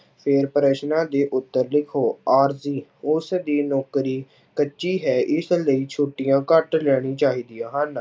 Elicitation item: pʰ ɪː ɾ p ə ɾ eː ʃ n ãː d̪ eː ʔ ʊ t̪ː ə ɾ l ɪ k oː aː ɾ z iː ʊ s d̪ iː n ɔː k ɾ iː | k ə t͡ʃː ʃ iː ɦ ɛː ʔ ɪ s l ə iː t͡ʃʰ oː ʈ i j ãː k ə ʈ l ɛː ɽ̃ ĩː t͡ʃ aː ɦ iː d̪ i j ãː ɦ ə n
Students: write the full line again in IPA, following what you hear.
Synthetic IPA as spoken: pʰ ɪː ɾ p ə ɾ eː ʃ n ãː d̪ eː ʔ ʊ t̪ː ə ɾ l ɪ kʰ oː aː ɾ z iː ʊ s d̪ iː n ɔː k ɾ iː | k ə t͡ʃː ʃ iː ɦ ɛː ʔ ɪ s l ə iː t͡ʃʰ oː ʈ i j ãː k ə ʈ l ɛː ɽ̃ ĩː t͡ʃ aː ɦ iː d̪ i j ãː ɦ ə n